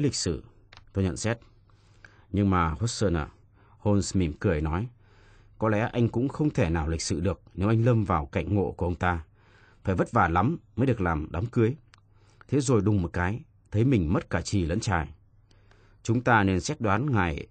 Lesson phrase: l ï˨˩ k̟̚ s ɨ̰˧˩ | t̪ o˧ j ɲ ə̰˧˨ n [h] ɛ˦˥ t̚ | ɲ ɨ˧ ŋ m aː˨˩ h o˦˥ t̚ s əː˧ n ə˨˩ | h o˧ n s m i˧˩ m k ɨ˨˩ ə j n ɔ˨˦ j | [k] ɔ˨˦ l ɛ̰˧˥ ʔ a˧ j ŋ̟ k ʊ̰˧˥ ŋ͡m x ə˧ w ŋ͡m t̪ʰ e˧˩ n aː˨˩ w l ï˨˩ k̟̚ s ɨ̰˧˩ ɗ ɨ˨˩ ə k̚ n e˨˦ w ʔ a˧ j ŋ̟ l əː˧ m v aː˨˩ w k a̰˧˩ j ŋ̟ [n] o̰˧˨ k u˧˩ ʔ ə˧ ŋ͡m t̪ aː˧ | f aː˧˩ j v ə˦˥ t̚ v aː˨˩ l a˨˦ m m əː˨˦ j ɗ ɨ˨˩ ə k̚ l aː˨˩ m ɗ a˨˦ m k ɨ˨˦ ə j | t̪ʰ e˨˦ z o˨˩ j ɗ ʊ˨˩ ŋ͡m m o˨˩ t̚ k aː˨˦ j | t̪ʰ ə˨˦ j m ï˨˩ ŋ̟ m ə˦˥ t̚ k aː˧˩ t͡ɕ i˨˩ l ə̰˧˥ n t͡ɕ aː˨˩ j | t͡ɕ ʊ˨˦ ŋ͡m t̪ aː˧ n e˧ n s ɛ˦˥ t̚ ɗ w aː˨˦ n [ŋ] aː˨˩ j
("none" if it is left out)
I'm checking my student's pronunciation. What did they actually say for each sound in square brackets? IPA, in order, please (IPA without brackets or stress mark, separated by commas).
s, k, ŋ, ŋ